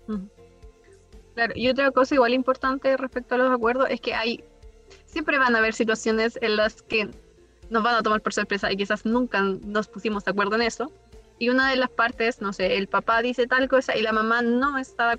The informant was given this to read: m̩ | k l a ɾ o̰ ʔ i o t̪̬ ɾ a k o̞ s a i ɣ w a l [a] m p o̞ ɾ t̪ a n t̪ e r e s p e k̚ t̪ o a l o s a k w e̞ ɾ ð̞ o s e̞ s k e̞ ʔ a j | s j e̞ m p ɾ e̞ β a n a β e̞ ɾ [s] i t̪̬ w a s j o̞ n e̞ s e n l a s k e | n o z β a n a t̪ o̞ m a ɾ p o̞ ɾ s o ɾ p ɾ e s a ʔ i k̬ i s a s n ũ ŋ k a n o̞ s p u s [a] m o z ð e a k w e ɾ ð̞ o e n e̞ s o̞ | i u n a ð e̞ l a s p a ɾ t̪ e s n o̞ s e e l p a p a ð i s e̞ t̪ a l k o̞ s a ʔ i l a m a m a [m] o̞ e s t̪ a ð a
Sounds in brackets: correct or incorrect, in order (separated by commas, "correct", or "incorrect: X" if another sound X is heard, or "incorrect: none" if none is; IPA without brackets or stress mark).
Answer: incorrect: i, correct, incorrect: i, incorrect: n